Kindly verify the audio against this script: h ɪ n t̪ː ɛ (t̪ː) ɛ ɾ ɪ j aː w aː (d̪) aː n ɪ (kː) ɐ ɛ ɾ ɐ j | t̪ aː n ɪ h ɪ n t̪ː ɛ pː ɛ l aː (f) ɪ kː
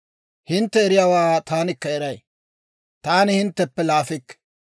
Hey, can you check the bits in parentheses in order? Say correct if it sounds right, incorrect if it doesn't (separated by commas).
incorrect, incorrect, correct, correct